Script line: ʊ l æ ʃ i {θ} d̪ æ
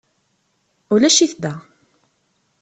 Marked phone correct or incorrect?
correct